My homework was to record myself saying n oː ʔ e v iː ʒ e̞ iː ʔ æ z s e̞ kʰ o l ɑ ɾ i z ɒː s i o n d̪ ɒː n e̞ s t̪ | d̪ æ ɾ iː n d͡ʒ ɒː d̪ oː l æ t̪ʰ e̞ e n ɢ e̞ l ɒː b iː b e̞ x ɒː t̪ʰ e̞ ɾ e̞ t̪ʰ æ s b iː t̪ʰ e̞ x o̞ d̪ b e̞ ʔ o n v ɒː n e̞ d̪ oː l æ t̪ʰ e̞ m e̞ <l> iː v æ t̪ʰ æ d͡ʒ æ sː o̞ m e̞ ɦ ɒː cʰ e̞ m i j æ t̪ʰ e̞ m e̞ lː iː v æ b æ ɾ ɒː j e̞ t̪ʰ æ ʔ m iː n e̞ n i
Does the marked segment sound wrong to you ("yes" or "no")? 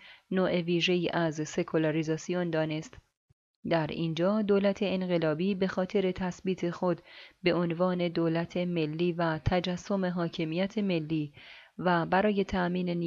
yes